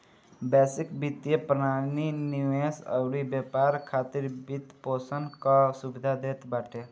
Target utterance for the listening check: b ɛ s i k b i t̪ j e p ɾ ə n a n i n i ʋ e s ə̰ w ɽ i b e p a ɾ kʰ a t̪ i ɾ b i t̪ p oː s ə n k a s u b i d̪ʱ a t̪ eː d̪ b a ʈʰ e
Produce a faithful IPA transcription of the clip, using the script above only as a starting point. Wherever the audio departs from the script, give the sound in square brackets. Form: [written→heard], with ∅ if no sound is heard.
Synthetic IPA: b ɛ s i k b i t̪ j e p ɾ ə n a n i n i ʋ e s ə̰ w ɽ i b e p a ɾ kʰ a t̪ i ɾ b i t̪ p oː s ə n k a s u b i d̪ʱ a [t̪→d̪] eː [d̪→t̪] b a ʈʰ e